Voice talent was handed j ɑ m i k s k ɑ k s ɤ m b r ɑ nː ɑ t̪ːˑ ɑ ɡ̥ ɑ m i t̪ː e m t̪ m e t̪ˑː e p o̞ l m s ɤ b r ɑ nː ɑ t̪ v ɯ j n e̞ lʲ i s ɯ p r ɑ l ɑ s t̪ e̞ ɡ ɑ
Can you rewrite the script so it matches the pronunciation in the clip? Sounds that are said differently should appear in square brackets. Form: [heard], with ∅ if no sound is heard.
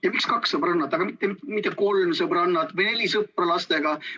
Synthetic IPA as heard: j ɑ m i k s k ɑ k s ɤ [∅] b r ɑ nː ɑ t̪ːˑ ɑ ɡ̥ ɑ m i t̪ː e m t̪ m [i] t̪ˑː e [k] o̞ l m s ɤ b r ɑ nː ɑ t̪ v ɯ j n e̞ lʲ i s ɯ p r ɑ l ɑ s t̪ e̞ ɡ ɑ